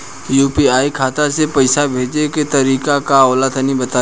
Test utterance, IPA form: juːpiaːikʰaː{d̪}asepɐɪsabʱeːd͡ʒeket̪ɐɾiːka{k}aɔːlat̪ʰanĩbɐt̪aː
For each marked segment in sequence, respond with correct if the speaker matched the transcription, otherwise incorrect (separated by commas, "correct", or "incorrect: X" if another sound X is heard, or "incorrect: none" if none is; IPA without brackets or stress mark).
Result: incorrect: t̪, correct